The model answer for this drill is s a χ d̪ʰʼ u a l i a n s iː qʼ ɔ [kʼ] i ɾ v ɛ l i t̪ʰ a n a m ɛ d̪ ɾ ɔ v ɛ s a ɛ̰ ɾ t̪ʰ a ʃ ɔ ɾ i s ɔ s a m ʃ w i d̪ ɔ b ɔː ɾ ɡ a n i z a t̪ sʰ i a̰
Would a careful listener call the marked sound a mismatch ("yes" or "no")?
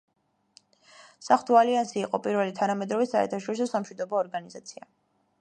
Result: yes